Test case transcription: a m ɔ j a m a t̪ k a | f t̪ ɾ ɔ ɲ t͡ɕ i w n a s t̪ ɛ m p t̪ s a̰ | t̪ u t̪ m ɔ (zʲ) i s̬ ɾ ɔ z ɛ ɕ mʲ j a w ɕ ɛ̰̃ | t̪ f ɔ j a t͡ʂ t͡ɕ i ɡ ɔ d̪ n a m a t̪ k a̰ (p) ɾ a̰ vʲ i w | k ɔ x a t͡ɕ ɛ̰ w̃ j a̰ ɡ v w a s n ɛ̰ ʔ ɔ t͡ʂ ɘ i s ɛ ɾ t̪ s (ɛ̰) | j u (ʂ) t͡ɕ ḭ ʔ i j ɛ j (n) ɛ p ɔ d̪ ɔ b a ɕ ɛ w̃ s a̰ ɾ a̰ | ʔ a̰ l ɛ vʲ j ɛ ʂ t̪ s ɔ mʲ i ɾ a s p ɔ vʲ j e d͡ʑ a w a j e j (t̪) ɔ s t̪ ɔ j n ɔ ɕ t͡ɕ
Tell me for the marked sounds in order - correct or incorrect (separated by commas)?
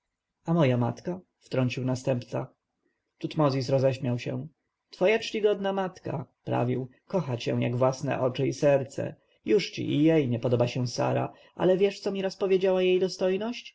correct, correct, correct, correct, incorrect, incorrect